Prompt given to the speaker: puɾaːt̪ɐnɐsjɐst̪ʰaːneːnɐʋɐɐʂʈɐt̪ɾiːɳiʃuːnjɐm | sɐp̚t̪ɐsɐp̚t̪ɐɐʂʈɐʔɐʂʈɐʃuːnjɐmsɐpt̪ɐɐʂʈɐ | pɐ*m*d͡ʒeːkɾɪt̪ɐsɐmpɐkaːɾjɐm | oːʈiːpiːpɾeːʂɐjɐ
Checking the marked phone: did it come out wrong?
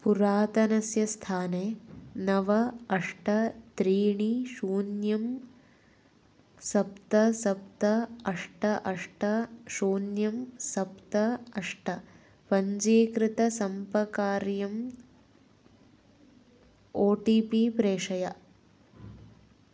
yes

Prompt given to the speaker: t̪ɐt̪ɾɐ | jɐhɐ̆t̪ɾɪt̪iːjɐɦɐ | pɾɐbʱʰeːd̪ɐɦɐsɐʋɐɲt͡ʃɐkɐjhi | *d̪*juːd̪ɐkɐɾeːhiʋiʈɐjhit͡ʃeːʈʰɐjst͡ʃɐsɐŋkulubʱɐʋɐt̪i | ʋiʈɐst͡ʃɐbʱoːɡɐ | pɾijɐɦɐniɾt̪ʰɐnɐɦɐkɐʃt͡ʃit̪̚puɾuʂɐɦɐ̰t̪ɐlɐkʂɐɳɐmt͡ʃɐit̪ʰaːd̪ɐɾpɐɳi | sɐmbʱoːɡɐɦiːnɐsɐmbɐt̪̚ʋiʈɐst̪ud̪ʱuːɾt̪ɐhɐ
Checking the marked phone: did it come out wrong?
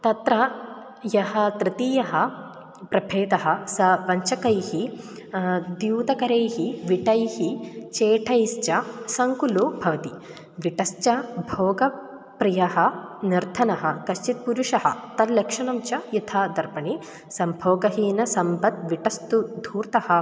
no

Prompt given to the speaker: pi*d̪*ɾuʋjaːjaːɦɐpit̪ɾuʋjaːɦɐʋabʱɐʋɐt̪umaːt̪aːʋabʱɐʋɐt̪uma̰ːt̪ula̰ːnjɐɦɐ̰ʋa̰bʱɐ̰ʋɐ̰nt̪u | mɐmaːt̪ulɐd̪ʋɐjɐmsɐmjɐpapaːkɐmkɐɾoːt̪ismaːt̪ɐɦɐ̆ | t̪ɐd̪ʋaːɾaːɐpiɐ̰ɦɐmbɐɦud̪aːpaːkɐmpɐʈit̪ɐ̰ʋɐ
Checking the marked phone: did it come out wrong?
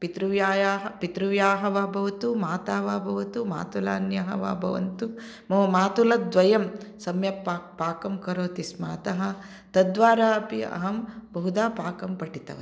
yes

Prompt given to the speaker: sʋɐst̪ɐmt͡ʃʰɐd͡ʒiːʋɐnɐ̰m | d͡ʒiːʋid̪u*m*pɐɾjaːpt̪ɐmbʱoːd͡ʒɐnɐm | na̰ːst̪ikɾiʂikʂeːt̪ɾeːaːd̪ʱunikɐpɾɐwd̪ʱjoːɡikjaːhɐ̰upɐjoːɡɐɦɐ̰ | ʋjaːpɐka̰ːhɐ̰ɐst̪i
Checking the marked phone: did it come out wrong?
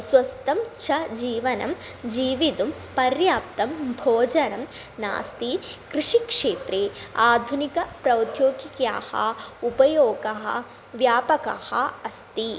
no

